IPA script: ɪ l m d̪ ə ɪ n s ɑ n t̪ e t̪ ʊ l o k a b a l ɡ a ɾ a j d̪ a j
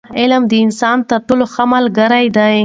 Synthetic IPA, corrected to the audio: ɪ l m d̪ ə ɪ n s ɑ n t̪ a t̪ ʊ l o x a m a l ɡ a ɾ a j d̪ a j